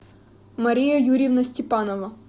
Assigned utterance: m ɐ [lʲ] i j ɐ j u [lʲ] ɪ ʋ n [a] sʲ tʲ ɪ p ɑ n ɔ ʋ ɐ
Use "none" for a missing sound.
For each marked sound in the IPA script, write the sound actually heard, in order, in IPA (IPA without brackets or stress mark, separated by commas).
ɾʲ, ɾʲ, ɐ